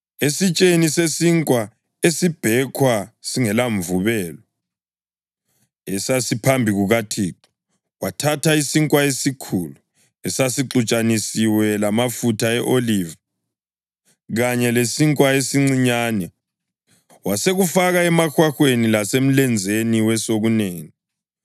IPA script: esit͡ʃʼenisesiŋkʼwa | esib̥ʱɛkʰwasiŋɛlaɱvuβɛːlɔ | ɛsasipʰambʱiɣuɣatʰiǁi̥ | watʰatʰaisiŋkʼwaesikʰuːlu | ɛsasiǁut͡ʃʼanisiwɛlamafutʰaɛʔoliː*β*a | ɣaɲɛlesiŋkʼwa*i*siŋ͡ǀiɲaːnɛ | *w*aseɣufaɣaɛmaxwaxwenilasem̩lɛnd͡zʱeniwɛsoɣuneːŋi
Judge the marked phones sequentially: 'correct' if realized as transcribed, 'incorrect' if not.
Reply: incorrect: v, incorrect: e, correct

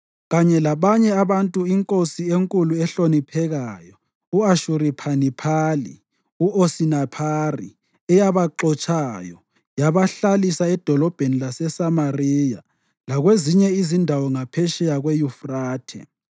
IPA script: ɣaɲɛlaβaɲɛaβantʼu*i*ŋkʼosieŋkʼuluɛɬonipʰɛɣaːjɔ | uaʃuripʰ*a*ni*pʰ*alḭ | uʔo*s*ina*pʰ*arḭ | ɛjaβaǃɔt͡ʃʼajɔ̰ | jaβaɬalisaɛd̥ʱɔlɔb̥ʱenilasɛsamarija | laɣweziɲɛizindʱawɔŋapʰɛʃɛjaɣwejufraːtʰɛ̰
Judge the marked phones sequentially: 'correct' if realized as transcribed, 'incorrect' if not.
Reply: correct, correct, correct, correct, correct

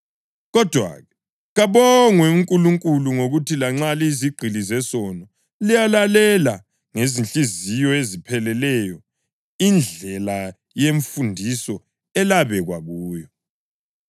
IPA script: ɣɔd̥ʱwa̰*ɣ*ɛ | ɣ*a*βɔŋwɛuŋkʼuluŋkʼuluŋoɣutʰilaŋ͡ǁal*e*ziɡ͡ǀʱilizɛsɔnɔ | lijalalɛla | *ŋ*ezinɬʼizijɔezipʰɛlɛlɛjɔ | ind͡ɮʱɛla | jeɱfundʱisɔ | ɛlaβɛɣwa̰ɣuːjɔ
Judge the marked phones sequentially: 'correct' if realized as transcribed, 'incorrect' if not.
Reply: correct, correct, incorrect: i, correct

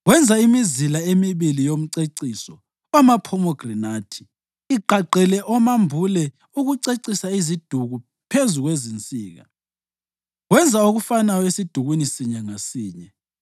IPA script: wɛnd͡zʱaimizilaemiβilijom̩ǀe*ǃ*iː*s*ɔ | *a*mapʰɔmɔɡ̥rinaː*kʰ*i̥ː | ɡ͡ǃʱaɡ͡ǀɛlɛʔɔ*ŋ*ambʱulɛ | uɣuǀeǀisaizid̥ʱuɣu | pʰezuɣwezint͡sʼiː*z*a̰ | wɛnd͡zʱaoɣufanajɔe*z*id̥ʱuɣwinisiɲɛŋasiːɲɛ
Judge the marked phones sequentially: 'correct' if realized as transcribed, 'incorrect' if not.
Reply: incorrect: ǀ, correct, correct, incorrect: tʰ, incorrect: m, incorrect: ɣ, incorrect: s

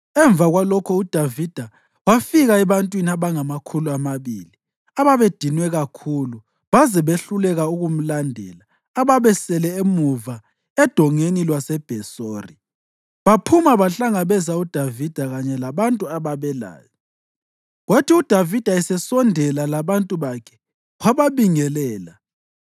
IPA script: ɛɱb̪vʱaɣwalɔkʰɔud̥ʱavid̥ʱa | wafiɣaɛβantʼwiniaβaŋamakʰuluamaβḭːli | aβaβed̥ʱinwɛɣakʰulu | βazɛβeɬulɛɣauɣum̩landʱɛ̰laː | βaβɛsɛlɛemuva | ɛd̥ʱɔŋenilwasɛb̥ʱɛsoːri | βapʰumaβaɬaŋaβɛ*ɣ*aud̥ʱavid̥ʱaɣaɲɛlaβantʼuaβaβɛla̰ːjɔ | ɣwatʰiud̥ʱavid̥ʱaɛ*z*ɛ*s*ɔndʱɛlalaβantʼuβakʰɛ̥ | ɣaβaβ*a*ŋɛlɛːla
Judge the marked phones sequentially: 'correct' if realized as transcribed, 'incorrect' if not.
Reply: incorrect: z, incorrect: s, correct, incorrect: i

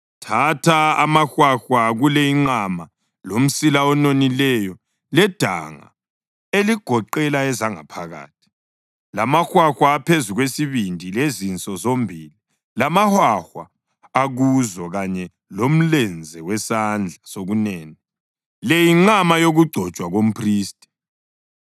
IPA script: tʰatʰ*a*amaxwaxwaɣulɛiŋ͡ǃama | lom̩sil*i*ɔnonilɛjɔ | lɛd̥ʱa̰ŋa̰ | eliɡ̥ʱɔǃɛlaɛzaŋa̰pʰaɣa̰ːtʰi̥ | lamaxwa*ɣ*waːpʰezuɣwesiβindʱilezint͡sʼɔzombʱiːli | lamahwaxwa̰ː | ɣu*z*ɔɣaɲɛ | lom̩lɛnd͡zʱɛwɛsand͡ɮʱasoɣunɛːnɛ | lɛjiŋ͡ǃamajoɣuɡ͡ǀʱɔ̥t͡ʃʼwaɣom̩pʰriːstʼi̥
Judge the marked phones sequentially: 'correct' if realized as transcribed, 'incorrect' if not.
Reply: correct, incorrect: a, incorrect: x, correct

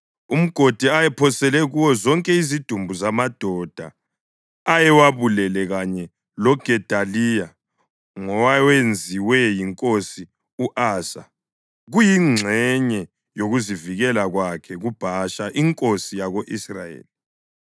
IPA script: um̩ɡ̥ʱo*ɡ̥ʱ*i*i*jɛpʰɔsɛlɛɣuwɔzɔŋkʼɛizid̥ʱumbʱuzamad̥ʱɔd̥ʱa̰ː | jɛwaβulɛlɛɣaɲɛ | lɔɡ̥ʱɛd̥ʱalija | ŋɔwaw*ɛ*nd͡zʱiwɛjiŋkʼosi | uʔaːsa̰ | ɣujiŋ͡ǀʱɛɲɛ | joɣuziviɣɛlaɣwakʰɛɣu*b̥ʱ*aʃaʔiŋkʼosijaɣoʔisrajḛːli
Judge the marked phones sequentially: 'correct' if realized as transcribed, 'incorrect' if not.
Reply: incorrect: d̥ʱ, incorrect: a, incorrect: e, correct

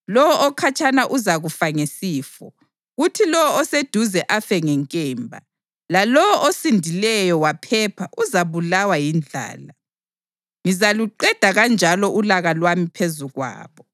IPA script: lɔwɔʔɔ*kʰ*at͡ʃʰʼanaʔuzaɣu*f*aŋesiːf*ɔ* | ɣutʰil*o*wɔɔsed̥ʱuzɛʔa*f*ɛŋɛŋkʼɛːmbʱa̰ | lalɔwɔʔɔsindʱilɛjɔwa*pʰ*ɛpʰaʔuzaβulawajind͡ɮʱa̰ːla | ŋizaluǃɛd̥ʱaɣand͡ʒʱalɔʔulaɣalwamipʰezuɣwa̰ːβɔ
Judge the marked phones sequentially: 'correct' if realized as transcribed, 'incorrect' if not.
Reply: correct, correct, correct, incorrect: ɔ, correct, correct

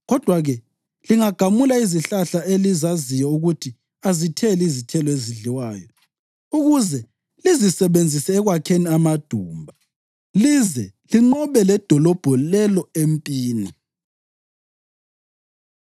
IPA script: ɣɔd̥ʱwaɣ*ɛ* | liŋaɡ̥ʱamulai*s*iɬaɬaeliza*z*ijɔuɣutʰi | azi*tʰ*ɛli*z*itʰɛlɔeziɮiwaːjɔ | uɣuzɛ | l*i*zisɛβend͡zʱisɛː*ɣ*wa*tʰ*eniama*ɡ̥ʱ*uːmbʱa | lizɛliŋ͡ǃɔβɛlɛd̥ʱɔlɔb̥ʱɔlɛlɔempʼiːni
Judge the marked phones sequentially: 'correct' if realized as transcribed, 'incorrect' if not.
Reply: correct, incorrect: z, correct, correct, correct, correct, correct, incorrect: kʰ, incorrect: d̥ʱ

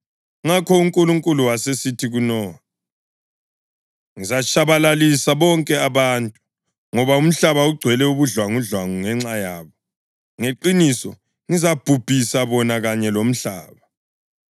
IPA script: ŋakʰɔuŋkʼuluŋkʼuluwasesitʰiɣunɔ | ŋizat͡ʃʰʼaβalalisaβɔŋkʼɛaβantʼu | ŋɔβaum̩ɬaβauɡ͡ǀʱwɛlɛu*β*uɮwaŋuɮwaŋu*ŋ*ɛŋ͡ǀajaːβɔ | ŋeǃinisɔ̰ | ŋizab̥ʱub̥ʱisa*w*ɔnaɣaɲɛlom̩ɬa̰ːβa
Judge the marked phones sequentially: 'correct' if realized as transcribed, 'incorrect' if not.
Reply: correct, correct, incorrect: β

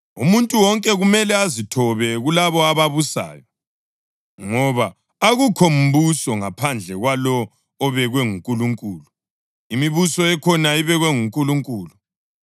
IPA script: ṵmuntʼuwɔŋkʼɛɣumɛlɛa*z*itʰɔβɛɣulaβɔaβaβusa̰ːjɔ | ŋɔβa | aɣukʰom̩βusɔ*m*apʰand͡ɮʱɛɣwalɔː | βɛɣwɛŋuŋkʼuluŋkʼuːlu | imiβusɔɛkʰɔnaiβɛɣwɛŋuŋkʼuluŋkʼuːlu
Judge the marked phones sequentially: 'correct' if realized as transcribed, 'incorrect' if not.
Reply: correct, incorrect: ŋ

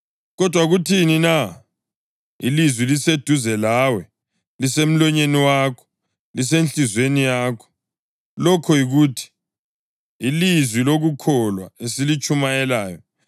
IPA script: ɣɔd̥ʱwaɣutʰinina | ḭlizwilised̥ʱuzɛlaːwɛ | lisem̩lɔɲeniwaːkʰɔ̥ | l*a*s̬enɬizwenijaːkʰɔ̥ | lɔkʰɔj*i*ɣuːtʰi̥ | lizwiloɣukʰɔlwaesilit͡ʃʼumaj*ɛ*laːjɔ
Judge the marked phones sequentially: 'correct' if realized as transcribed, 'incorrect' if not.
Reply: incorrect: i, correct, correct

